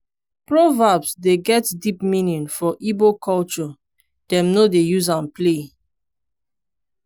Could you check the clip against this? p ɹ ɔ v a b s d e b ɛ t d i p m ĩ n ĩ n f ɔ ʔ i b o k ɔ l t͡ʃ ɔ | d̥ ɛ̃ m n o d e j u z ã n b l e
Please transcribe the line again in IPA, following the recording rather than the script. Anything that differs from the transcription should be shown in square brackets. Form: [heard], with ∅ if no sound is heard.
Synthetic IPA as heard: p ɹ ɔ v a b s d e [ɡ] ɛ t d i p m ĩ n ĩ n f ɔ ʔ i b o k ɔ l t͡ʃ ɔ | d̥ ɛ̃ m n o d e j u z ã n [p] l e